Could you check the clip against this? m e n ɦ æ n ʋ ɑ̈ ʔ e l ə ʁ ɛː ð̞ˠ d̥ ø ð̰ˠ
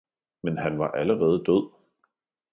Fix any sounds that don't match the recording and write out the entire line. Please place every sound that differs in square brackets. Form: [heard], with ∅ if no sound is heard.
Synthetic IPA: m e n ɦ æ n ʋ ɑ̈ ʔ [æ] l ə ʁ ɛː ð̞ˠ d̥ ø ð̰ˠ

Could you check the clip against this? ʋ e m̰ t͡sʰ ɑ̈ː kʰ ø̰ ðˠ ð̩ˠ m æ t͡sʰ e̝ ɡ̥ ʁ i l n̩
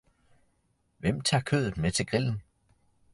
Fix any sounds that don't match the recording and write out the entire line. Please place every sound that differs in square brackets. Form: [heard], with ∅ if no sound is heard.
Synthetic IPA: ʋ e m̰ t͡sʰ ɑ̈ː kʰ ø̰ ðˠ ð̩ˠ m [e] t͡sʰ e̝ ɡ̥ ʁ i l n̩

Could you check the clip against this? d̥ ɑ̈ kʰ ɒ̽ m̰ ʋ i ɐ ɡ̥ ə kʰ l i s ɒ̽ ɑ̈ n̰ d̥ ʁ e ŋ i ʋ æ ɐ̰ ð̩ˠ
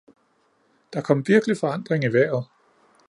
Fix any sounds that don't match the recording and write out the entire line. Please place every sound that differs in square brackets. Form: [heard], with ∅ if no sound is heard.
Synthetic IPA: d̥ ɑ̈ kʰ ɒ̽ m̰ ʋ i ɐ ɡ̥ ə [∅] l i [f] ɒ̽ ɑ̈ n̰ d̥ ʁ e ŋ i ʋ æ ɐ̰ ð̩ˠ

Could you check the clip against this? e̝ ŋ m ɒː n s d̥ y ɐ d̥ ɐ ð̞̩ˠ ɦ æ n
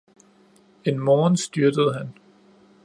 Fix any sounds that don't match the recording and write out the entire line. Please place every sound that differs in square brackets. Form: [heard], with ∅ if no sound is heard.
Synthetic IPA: e̝ [n] m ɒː n s d̥ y ɐ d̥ [ə] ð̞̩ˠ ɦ æ n

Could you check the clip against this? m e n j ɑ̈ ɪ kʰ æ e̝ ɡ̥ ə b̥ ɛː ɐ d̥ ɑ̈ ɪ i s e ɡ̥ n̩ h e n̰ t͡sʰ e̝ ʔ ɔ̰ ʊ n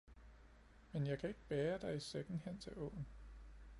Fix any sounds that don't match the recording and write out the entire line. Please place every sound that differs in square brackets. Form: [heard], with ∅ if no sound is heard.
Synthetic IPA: m e n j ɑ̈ ɪ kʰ æ e̝ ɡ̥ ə b̥ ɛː ɐ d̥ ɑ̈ ɪ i s e ɡ̥ n̩ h e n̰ t͡sʰ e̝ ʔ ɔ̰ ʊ n

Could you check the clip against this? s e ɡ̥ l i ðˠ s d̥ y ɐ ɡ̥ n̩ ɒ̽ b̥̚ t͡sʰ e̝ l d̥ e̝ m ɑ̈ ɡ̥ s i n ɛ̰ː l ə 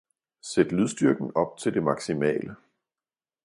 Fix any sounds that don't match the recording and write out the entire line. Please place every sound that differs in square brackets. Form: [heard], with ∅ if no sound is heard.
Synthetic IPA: s e [d̥] l [y] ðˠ s d̥ y ɐ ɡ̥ n̩ ɒ̽ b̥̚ t͡sʰ e̝ l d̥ e̝ m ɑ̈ ɡ̥ s i [m] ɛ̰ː l ə

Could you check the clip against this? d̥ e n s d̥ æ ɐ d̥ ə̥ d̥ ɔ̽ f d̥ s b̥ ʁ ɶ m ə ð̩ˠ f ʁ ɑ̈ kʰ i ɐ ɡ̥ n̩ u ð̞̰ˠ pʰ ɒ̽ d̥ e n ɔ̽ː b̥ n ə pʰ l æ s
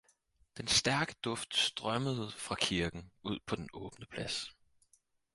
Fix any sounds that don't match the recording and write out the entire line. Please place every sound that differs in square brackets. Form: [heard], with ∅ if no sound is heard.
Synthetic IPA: d̥ e n s d̥ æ ɐ [ɡ̥] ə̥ d̥ ɔ̽ f d̥ s [d̥] ʁ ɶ m ə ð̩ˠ f ʁ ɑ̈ kʰ i ɐ ɡ̥ n̩ u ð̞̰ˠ pʰ ɒ̽ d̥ e n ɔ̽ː b̥ n ə pʰ l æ s

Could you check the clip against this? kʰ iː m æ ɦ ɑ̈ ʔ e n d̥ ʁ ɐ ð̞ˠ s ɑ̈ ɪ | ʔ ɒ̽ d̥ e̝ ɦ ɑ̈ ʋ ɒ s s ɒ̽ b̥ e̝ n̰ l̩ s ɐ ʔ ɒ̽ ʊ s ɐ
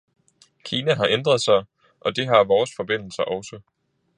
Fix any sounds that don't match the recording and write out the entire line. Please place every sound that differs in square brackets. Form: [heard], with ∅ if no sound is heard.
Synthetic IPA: kʰ iː [n] æ ɦ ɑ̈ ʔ e n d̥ ʁ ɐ ð̞ˠ s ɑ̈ ɪ | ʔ ɒ̽ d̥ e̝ ɦ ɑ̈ ʋ [ɒː] s [f] ɒ̽ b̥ e̝ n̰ l̩ s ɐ ʔ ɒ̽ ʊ s [ə]

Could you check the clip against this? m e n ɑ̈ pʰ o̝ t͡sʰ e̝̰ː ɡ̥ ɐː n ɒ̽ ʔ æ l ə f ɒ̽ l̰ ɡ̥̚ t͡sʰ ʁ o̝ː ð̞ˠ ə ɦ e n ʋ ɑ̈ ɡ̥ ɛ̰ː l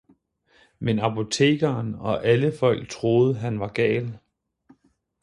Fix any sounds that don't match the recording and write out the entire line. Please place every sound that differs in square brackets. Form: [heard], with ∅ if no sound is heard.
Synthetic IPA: m e n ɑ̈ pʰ o̝ t͡sʰ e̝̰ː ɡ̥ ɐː n ɒ̽ ʔ æ l ə f ɒ̽ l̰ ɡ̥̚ t͡sʰ ʁ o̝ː ð̞ˠ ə ɦ [æ] n ʋ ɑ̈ ɡ̥ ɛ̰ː l

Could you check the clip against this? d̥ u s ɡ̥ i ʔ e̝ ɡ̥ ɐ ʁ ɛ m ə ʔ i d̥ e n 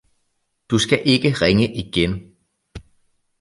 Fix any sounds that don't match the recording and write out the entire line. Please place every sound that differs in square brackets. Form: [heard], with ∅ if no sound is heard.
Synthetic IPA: d̥ u s ɡ̥ [æ] ʔ e̝ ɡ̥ [ə] ʁ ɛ [ŋ] ə ʔ i [ɡ̥] e n

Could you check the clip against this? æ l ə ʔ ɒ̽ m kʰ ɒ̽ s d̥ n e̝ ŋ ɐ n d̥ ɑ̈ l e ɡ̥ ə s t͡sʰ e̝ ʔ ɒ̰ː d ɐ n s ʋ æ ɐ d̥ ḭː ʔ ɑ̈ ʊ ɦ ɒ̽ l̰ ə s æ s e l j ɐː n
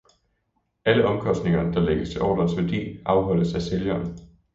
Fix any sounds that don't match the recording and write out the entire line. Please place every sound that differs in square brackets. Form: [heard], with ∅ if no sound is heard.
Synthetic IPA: æ l ə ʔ ɒ̽ m kʰ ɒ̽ s d̥ n e̝ ŋ ɐ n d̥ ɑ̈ l e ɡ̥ ə s t͡sʰ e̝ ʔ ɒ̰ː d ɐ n s ʋ æ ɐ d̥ ḭː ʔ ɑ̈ ʊ ɦ ɒ̽ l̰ ə s æ s e l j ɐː n

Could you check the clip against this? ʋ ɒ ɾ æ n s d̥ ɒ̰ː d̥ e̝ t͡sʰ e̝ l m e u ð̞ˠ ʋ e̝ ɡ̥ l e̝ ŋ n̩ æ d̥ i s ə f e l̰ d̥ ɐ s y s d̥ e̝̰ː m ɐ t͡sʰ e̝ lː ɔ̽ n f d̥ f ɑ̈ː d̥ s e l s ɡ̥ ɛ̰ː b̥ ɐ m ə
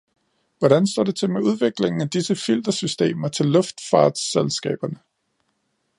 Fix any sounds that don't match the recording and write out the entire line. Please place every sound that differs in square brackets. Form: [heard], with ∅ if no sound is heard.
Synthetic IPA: ʋ ɒ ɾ æ n s d̥ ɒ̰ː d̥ e̝ t͡sʰ e̝ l m e u ð̞ˠ ʋ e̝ ɡ̥ l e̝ ŋ n̩ æ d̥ i s ə f [i] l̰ d̥ ɐ s y s d̥ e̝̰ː m ɐ t͡sʰ e̝ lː ɔ̽ [∅] f d̥ f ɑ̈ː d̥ s e l s ɡ̥ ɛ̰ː b̥ ɐ [n] ə

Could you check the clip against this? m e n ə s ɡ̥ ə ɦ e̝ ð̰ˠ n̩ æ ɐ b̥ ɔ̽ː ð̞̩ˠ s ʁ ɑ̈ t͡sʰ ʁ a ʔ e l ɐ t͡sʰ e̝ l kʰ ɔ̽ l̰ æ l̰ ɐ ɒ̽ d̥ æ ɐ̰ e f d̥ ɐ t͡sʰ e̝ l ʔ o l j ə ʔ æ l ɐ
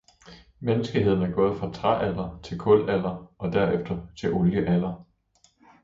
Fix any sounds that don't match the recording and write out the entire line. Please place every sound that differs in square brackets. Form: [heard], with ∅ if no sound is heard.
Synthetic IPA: m e n ə s ɡ̥ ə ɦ e̝ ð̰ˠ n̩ æ ɐ [ɡ̥] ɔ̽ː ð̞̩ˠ [f] ʁ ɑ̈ t͡sʰ ʁ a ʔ [æ] l ɐ t͡sʰ e̝ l kʰ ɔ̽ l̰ æ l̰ ɐ ɒ̽ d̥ æ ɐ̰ e f d̥ ɐ t͡sʰ e̝ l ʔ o l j ə ʔ æ l ɐ

